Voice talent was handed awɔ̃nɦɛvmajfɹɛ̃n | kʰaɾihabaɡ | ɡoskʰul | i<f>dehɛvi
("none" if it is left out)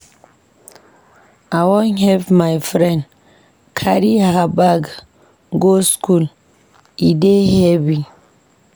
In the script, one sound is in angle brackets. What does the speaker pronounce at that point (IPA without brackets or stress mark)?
none